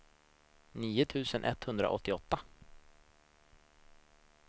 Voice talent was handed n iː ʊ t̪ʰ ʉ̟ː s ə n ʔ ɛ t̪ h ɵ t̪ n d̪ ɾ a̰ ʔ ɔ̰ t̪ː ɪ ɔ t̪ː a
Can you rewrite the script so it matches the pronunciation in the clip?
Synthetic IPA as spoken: n iː ʊ t̪ʰ ʉ̟ː s ə n ʔ ɛ t̪ h ɵ n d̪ ɾ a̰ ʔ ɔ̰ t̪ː ɪ ɔ t̪ː a